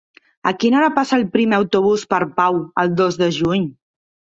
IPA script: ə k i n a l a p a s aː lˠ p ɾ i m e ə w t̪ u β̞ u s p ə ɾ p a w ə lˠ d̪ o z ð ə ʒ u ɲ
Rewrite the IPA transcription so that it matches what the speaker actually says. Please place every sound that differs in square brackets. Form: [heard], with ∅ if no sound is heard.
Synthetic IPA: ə k i n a [ɾ] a p a s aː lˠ p ɾ i m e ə w t̪ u β̞ u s p ə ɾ p a w ə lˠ d̪ o z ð ə ʒ u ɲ